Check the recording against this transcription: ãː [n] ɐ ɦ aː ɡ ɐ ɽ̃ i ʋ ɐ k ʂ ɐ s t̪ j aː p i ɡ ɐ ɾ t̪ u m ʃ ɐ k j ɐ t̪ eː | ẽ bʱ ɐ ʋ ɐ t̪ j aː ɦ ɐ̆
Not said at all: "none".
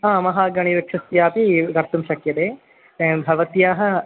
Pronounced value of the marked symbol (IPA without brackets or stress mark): m